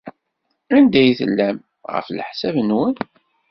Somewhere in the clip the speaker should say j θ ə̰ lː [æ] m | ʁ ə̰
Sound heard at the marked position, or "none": æ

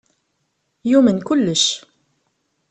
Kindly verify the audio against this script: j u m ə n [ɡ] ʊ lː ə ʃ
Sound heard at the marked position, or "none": k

